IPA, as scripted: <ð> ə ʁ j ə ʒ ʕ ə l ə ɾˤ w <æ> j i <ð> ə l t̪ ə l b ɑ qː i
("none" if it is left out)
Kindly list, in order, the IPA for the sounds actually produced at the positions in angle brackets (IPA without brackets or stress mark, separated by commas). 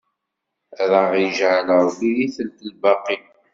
ð, i, θ